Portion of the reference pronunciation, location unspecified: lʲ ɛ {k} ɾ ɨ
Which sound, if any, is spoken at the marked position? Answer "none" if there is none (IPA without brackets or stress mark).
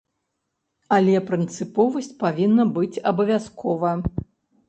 p